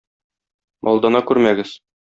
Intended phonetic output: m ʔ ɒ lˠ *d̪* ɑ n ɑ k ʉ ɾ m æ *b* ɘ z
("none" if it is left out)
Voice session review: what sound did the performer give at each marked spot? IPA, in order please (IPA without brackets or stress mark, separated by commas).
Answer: d̪, ɡ